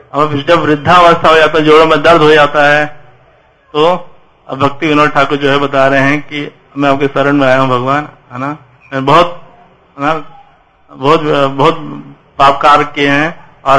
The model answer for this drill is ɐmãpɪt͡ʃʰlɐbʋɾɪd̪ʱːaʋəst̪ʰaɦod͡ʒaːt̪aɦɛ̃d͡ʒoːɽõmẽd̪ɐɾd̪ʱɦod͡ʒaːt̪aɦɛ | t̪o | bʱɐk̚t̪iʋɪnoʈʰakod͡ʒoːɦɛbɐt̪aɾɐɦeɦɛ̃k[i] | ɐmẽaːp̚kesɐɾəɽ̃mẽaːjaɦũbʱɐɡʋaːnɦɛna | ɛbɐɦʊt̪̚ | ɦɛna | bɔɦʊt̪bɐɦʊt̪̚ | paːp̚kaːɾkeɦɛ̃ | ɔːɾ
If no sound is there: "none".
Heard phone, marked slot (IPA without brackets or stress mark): i